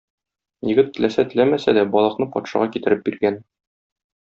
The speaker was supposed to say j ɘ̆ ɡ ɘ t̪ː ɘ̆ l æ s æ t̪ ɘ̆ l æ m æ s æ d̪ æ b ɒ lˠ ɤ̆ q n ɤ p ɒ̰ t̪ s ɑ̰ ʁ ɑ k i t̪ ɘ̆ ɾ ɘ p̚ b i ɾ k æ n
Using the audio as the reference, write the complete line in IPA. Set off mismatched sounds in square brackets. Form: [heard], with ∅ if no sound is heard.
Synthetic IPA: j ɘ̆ ɡ ɘ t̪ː ɘ̆ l æ s æ t̪ ɘ̆ l æ m æ s æ d̪ æ b ɒ lˠ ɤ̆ q n ɤ p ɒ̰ t̪ [ʃ] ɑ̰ ʁ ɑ k i t̪ ɘ̆ ɾ ɘ p̚ b i ɾ [ɡ] æ n